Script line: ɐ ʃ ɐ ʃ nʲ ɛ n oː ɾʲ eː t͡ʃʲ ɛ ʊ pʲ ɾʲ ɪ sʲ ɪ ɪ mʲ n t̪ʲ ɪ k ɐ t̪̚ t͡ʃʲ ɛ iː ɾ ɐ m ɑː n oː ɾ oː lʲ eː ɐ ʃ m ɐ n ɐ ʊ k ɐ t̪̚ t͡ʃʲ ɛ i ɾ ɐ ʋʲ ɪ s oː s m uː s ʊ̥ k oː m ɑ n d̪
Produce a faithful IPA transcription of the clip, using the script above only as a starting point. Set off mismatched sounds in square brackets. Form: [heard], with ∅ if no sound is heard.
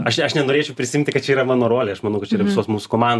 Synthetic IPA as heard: ɐ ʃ ɐ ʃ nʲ ɛ n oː ɾʲ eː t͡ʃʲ ɛ ʊ pʲ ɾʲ ɪ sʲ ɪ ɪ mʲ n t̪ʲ ɪ k ɐ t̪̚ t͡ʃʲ ɛ iː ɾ ɐ m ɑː n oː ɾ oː lʲ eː ɐ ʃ m ɐ n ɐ ʊ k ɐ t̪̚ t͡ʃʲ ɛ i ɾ ɐ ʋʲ ɪ s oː s m uː s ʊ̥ k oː m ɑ n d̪